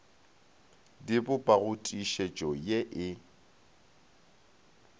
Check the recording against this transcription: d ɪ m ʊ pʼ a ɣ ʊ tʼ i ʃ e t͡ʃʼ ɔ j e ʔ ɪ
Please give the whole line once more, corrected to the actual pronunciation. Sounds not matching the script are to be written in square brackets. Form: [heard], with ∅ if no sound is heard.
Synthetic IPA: d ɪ [b] ʊ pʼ a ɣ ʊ tʼ i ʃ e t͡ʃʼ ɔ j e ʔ ɪ